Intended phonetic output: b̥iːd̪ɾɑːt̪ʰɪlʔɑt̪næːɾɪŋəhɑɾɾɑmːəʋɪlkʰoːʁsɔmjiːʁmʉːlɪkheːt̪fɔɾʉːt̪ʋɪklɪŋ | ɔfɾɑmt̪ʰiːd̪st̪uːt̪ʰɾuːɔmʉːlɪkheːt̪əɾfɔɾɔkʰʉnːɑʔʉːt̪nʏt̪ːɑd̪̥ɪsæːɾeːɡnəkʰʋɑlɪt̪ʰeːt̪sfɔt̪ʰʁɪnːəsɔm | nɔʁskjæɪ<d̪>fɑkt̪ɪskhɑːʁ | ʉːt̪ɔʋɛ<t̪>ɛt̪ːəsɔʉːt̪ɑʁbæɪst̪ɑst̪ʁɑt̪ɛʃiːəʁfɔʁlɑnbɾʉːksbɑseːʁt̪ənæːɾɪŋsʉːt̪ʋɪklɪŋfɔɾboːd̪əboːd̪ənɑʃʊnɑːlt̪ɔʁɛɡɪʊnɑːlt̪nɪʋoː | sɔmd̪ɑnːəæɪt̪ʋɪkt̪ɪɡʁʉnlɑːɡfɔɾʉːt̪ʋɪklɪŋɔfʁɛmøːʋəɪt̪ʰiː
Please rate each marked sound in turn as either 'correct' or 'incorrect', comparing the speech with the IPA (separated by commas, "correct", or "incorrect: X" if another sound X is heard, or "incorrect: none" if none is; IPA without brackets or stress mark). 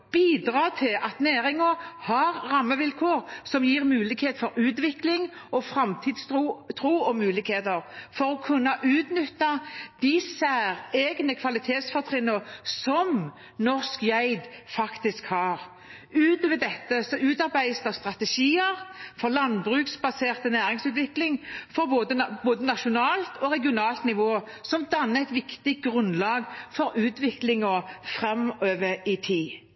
correct, incorrect: d̪